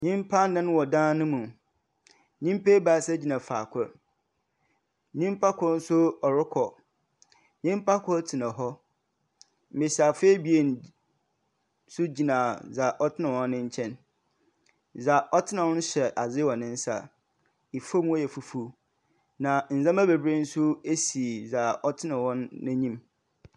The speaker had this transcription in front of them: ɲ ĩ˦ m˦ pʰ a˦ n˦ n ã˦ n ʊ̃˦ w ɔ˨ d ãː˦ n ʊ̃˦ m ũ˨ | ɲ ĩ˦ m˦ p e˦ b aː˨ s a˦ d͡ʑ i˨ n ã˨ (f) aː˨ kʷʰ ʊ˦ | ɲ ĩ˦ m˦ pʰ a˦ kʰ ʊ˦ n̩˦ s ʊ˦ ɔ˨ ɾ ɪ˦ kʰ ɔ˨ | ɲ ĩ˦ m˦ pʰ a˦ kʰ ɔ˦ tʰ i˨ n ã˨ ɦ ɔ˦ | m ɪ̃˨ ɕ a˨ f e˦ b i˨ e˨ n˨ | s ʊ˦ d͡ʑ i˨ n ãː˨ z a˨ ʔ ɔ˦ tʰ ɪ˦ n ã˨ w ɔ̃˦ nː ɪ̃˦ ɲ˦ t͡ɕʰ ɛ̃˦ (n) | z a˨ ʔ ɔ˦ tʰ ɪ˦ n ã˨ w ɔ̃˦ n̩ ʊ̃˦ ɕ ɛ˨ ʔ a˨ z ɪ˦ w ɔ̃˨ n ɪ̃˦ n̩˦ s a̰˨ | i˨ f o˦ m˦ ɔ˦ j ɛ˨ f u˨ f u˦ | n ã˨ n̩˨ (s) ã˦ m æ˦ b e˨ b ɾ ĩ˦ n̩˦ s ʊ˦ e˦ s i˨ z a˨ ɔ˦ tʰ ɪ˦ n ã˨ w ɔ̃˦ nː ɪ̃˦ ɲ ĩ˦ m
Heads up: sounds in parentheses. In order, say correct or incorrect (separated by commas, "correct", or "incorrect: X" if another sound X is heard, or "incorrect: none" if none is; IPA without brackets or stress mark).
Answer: correct, correct, incorrect: z